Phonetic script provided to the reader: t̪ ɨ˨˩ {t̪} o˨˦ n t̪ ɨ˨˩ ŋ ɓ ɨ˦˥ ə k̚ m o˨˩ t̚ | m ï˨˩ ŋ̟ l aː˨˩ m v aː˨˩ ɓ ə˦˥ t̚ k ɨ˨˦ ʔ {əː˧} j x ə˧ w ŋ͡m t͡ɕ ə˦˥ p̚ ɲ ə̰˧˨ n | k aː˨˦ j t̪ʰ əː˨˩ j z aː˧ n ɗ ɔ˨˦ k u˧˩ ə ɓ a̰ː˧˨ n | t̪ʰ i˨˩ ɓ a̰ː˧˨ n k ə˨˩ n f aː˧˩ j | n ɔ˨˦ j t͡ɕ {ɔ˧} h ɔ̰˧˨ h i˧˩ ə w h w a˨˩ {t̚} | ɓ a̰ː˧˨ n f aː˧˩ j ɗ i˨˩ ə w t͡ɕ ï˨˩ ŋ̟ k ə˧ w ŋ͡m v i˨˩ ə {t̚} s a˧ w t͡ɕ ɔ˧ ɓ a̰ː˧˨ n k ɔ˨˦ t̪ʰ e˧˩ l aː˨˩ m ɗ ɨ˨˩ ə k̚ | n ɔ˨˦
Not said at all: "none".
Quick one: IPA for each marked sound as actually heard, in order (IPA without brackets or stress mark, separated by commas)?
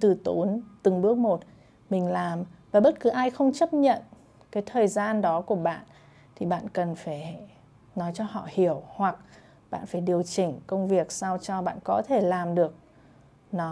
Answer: t̪, aː˧, ɔ˧, k̚, k̚